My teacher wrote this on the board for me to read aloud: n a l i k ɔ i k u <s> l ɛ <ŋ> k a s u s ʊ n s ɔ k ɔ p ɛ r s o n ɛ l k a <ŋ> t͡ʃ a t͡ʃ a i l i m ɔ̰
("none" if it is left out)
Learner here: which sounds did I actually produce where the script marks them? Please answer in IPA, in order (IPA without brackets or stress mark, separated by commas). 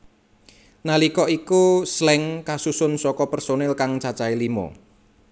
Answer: s, ŋ, ŋ